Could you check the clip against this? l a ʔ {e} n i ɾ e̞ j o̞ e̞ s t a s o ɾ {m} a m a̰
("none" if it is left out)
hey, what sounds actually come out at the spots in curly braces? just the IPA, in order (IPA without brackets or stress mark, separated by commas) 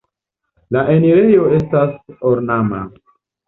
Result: e, n